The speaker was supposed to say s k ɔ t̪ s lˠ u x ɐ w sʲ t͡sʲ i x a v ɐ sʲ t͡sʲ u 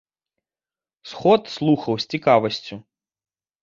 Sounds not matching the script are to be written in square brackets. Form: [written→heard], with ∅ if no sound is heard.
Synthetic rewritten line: s [k→x] ɔ t̪ s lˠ u x ɐ w sʲ t͡sʲ i [x→k] a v ɐ sʲ t͡sʲ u

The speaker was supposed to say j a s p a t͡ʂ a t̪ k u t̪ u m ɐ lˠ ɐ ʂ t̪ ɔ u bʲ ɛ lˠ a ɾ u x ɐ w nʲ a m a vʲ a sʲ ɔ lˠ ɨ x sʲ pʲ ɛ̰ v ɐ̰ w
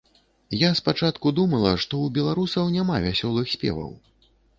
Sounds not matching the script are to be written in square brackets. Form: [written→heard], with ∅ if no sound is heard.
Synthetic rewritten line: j a s p a t͡ʂ a t̪ k u [t̪→d̪] u m ɐ lˠ ɐ ʂ t̪ ɔ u bʲ ɛ lˠ a ɾ u [x→s] ɐ w nʲ a m a vʲ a sʲ ɔ lˠ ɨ x sʲ pʲ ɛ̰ v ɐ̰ w

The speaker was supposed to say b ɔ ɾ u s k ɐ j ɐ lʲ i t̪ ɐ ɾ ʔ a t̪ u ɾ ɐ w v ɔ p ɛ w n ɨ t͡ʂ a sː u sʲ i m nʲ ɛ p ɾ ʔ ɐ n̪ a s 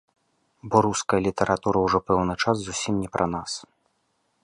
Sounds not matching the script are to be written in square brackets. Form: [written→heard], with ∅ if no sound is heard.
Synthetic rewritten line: b ɔ ɾ u s k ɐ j ɐ lʲ i t̪ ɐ ɾ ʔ a t̪ u ɾ ɐ w [v→ʐ] ɔ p ɛ w n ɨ t͡ʂ a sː u sʲ i m nʲ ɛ p ɾ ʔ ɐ n̪ a s

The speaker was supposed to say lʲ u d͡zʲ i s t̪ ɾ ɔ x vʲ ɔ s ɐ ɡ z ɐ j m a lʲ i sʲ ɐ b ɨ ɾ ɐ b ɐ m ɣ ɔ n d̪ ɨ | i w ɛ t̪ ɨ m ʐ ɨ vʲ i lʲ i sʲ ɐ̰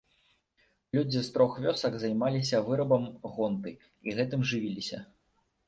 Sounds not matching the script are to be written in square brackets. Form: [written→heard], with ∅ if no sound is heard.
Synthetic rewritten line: lʲ u d͡zʲ i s t̪ ɾ ɔ x vʲ ɔ s ɐ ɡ z ɐ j m a lʲ i sʲ ɐ [b→v] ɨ ɾ ɐ b ɐ m ɣ ɔ n [d̪→t̪] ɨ | i [w→ɣ] ɛ t̪ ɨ m ʐ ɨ vʲ i lʲ i sʲ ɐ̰

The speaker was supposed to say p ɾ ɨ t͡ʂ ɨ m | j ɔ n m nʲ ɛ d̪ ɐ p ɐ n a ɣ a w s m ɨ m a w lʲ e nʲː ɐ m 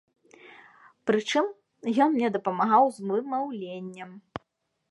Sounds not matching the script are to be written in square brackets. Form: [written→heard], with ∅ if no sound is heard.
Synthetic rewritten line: p ɾ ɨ t͡ʂ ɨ m | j ɔ n m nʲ ɛ d̪ ɐ p ɐ [n→m] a ɣ a w [s→z] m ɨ m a w lʲ e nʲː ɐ m

